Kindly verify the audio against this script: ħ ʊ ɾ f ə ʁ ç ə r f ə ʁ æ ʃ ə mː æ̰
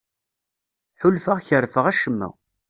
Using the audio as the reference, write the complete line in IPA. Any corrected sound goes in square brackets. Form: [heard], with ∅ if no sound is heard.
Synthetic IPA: ħ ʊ [l] f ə ʁ ç ə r f ə ʁ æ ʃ ə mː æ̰